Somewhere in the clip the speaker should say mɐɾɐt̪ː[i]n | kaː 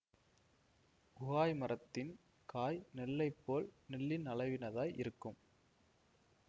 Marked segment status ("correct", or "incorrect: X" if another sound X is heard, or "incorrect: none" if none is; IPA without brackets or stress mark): incorrect: ɪ